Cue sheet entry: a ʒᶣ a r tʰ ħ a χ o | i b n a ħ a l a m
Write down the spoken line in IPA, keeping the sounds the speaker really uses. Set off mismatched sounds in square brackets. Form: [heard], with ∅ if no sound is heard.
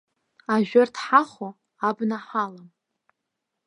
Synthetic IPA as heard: a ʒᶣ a r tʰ ħ a χ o | [a] b n a ħ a l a m